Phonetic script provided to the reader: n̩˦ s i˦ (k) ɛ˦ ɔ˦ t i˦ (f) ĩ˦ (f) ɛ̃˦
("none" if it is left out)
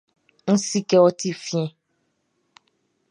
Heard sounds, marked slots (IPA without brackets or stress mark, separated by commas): k, f, none